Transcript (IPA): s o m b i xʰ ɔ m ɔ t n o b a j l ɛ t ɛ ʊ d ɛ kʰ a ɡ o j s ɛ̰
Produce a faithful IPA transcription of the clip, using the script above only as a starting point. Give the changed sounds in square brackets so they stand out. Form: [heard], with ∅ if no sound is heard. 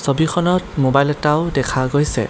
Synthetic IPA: s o [∅] b i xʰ ɔ [n] ɔ t [m] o b a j l ɛ t [a] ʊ d ɛ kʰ a ɡ o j s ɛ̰